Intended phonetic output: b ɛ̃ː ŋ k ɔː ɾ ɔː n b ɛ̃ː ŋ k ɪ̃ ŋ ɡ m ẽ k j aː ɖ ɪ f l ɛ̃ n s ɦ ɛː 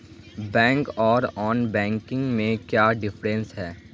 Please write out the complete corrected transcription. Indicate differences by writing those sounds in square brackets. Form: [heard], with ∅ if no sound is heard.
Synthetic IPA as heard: b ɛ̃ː ŋ k ɔː ɾ ɔː n b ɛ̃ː ŋ k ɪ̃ ŋ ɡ m ẽ k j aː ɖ ɪ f [ɾ] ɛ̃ n s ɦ ɛː

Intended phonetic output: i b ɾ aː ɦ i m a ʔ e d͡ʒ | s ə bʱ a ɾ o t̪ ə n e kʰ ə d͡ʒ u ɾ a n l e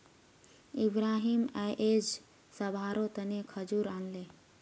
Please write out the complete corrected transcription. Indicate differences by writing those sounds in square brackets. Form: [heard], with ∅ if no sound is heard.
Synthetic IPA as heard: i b ɾ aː ɦ i m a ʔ e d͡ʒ | s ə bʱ a ɾ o t̪ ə n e kʰ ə d͡ʒ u ɾ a n l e

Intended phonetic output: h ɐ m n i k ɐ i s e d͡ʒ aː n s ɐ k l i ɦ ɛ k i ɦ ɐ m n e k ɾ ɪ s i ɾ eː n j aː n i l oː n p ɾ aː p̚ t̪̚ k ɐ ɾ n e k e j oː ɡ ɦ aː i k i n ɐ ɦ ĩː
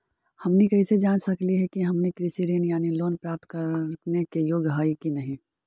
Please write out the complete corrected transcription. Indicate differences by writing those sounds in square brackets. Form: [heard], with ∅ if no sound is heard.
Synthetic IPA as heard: h ɐ m n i k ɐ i s e d͡ʒ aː n s ɐ k l i ɦ ɛ k i ɦ ɐ m n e k ɾ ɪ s i ɾ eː n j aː n i l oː n p ɾ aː p̚ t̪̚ k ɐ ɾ n e k e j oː ɡ ɦ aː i k i n ɐ ɦ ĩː

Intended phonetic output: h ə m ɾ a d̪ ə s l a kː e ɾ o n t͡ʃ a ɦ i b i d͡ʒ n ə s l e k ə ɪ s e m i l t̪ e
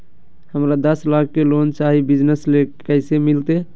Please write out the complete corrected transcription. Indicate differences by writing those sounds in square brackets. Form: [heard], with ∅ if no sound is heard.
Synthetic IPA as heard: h ə m ɾ a d̪ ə s l a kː e [l] o n t͡ʃ a ɦ i b i d͡ʒ n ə s l e k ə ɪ s e m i l t̪ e

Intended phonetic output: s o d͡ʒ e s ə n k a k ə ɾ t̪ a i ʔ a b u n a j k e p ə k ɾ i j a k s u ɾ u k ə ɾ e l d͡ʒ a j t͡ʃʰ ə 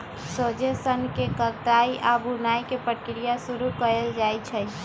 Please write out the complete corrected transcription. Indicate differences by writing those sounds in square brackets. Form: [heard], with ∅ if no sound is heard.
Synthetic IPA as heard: s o d͡ʒ e s ə n k [e] k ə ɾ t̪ a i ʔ a b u n a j k e p ə k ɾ i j a [∅] s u ɾ u k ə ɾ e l d͡ʒ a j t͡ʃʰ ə

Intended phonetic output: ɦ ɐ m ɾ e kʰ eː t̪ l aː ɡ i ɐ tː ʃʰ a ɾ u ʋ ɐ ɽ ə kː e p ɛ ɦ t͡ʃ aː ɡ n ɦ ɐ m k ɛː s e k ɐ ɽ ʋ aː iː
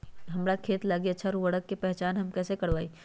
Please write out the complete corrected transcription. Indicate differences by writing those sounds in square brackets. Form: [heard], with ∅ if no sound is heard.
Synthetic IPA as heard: ɦ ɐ m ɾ [a] kʰ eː t̪ l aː ɡ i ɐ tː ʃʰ a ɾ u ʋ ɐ ɽ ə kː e p ɛ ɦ t͡ʃ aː [∅] n ɦ ɐ m k ɛː s e k ɐ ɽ ʋ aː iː

